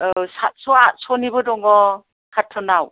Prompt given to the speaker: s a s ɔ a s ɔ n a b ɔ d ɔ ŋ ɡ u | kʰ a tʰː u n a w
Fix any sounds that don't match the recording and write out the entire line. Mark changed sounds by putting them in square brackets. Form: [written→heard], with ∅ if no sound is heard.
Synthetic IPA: s a s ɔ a s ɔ n [a→i] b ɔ d ɔ ŋ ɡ [u→ɔ] | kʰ a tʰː [u→ɔ] n a w